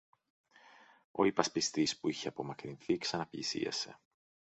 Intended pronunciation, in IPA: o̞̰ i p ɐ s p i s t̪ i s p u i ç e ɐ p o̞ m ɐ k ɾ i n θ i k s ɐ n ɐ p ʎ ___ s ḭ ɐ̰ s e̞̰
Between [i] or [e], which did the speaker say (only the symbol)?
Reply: i